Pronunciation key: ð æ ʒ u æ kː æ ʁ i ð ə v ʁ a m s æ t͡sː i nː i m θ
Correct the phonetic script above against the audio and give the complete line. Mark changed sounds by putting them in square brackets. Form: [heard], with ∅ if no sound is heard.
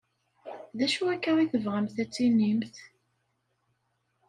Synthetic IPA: ð æ [ʃ] u æ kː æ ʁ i [θ] ə v ʁ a m [θ] æ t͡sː i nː i m θ